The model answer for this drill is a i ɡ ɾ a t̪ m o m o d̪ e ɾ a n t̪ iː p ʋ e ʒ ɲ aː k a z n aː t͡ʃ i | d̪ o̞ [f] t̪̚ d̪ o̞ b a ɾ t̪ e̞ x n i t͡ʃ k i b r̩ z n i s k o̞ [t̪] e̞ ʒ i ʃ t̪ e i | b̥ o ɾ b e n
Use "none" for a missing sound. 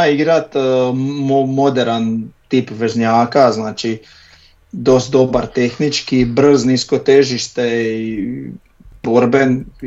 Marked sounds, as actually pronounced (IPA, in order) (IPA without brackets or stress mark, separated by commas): s, t̪